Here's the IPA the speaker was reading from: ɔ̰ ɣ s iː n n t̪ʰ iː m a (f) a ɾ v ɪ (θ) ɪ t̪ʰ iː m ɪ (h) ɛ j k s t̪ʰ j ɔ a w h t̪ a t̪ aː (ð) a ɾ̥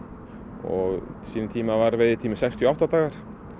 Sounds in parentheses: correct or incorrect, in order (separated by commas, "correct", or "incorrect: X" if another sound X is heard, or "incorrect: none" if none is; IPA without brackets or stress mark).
incorrect: v, incorrect: ð, incorrect: s, incorrect: ɣ